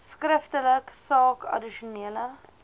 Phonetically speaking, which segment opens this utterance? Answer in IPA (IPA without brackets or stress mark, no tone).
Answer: s